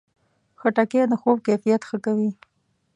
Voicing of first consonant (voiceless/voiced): voiceless